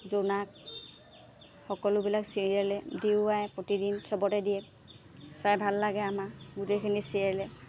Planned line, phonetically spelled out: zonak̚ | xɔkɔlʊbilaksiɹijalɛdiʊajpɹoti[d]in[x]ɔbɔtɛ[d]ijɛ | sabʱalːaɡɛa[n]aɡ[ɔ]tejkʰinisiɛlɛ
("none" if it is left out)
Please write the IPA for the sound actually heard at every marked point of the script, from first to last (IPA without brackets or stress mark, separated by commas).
d, s, d, m, u